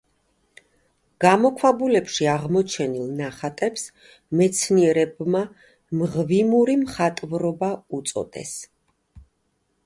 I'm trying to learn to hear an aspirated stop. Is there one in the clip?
yes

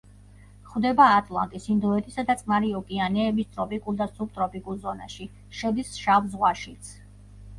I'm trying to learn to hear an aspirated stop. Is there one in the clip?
no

